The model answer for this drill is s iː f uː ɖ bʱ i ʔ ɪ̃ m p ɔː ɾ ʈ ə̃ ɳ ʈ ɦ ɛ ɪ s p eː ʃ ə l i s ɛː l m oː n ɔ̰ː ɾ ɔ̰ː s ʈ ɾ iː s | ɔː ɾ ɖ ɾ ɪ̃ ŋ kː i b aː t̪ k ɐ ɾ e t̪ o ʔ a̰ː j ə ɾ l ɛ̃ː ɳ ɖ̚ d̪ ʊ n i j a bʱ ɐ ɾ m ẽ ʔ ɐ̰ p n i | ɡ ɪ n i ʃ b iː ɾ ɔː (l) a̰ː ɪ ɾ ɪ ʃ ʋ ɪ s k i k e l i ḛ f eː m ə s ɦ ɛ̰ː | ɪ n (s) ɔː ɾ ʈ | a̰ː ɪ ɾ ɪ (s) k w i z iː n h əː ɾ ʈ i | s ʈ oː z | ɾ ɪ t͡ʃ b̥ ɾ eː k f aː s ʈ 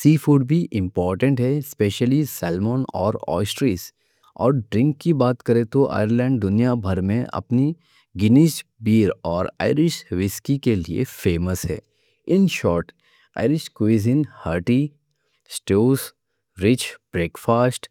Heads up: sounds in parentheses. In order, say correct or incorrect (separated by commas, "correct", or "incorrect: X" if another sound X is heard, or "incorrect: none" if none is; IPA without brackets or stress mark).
incorrect: ɾ, incorrect: ʃ, incorrect: ʃ